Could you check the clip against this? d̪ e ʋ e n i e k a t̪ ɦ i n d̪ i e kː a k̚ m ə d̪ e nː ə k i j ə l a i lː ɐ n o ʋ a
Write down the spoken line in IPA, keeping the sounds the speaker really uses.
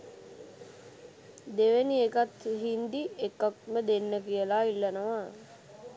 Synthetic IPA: d̪ e ʋ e n i e k a t̪ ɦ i n d̪ i e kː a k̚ m ə d̪ e nː ə k i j ə l a i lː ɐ n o ʋ a